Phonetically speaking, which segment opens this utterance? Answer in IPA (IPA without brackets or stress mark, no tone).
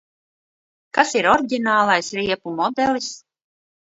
k